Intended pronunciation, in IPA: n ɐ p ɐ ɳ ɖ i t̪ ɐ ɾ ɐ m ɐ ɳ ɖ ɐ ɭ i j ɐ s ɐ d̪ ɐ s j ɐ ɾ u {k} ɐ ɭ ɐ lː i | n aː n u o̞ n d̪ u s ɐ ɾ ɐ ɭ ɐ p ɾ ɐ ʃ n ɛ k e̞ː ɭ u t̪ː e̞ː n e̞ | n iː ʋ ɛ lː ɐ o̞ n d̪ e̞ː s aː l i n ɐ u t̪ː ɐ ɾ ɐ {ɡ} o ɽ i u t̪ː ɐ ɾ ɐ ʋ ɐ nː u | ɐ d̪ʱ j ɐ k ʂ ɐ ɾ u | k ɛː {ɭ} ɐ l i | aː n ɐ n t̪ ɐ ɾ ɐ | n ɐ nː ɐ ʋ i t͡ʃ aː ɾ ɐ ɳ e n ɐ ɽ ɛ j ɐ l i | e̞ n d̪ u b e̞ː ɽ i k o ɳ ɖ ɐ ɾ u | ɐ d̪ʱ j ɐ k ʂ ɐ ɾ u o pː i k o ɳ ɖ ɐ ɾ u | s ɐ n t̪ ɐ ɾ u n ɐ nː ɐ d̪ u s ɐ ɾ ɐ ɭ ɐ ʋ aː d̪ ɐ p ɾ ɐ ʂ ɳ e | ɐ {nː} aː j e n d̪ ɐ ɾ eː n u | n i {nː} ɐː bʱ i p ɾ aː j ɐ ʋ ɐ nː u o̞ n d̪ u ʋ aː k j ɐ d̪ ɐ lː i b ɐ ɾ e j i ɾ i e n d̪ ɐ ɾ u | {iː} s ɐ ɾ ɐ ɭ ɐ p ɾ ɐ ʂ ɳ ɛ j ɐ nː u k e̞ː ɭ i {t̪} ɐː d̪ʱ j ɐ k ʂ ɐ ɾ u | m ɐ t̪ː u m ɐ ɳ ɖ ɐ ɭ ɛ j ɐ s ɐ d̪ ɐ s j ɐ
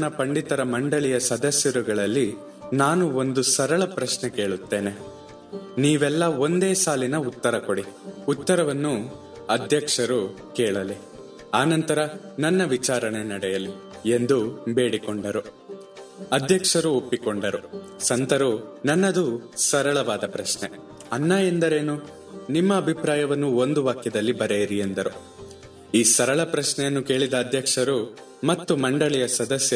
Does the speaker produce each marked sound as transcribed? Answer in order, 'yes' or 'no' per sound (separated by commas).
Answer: no, no, yes, yes, no, yes, no